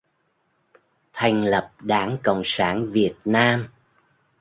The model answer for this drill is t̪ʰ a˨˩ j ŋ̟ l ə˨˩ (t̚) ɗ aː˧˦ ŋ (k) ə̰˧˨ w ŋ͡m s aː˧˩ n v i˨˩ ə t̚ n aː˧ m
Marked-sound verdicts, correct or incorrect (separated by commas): incorrect, correct